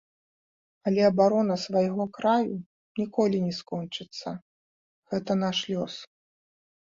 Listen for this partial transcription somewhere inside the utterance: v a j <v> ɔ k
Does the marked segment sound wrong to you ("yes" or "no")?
yes